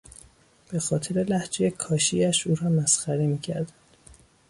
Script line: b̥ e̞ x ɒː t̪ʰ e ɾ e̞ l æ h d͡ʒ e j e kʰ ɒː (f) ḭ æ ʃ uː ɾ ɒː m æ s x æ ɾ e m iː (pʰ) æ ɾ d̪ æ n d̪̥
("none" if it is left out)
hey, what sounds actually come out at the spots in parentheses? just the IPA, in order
ʃ, cʰ

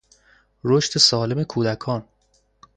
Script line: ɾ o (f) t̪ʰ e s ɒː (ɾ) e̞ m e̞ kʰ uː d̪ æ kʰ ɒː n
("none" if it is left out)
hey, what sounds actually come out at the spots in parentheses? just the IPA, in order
ʃ, l

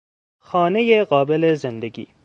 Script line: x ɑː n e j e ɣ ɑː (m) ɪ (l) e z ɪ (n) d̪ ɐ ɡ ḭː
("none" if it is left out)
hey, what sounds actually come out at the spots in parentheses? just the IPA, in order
b, l, n

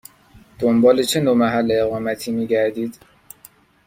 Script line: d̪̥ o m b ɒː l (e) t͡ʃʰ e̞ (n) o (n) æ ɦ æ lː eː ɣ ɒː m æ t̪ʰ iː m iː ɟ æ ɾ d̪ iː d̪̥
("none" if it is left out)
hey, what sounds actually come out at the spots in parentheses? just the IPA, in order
e, n, m

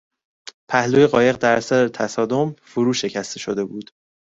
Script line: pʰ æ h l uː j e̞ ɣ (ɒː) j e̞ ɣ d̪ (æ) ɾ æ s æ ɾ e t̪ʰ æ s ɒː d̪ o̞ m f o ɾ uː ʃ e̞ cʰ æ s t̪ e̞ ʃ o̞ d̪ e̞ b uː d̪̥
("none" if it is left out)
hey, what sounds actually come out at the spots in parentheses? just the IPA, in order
ɒː, æ

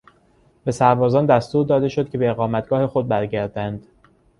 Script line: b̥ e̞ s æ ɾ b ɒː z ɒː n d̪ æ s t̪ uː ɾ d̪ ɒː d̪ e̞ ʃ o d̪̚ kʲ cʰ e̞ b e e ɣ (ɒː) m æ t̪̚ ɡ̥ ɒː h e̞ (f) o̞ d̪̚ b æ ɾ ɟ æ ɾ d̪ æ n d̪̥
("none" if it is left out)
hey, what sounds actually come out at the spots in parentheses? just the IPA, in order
ɒː, x

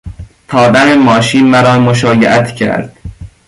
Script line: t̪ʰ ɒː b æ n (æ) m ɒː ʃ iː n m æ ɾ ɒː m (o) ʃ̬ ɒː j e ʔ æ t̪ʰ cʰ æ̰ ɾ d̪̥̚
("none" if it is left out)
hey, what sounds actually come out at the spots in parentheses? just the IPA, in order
e, o

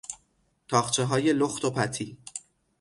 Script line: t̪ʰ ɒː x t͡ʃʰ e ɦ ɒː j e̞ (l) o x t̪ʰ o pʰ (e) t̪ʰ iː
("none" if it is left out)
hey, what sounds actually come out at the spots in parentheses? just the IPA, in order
l, æ

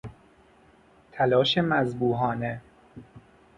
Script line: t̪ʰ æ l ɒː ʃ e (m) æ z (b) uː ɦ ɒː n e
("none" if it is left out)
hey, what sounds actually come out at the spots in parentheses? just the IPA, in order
m, b

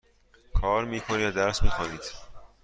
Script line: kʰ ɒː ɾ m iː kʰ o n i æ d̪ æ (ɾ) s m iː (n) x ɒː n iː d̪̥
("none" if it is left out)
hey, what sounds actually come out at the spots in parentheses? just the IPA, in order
ɾ, none

